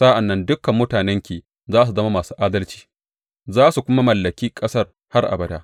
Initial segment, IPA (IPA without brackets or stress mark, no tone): s